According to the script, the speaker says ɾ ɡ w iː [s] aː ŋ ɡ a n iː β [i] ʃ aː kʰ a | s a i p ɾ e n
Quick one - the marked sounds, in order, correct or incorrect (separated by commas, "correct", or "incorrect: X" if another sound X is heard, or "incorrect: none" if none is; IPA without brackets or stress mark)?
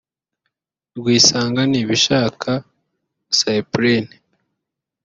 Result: correct, correct